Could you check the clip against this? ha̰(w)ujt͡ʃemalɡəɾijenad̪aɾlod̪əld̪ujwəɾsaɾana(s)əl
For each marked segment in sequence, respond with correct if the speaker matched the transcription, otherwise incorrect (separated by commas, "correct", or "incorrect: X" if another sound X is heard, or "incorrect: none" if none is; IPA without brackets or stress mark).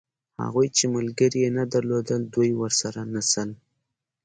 incorrect: ɣ, correct